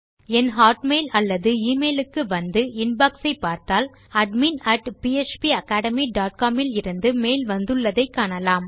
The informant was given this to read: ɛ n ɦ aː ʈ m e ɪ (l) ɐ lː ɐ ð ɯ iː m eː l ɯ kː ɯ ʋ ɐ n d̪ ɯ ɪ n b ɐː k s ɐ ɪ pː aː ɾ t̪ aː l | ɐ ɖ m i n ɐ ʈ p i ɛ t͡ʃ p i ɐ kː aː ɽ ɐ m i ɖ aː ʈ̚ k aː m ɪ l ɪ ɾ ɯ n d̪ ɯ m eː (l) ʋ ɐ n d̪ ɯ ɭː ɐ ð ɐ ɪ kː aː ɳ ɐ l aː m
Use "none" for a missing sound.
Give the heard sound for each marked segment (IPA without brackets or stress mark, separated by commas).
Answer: l, l